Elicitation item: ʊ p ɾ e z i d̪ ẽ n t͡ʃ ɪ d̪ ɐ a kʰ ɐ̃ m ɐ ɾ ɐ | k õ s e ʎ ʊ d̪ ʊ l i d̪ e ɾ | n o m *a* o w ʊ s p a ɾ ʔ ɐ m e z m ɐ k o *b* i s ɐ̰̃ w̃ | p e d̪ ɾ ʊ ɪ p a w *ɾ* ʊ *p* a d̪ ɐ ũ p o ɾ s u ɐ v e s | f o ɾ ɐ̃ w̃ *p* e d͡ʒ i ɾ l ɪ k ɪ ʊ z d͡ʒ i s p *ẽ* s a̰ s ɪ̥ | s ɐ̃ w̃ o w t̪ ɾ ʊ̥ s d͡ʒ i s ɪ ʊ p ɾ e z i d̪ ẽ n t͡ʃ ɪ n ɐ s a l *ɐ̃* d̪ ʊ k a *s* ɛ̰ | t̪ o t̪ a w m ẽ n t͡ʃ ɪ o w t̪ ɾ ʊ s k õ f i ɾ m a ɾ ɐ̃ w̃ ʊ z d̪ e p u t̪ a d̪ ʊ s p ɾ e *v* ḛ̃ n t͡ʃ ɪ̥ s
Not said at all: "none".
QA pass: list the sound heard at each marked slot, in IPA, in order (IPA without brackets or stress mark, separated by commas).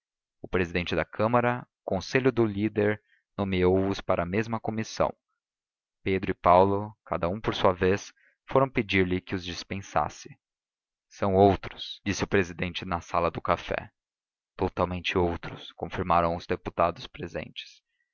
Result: i, m, l, k, p, ẽ, ɐ, f, z